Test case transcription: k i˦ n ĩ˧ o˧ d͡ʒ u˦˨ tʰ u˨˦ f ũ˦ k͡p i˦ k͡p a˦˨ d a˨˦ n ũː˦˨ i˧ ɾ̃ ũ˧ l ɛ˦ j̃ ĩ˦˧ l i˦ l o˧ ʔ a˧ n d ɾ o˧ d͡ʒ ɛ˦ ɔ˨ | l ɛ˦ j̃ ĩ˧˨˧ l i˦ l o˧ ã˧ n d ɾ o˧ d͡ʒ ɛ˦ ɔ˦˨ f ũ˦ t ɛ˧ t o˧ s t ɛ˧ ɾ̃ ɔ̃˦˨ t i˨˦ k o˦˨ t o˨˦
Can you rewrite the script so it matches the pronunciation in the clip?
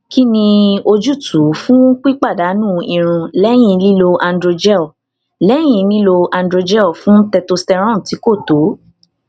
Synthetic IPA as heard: k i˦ n ĩ˧ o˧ d͡ʒ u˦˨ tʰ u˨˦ f ũ˦ k͡p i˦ k͡p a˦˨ d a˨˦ n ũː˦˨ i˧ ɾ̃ ũ˧ l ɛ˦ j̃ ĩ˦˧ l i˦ l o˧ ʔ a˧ n d ɾ o˧ d͡ʒ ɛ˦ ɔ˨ | l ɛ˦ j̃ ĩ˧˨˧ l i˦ l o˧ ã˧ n d ɾ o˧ d͡ʒ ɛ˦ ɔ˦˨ f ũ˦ t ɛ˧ t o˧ s t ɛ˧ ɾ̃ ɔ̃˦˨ t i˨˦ k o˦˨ t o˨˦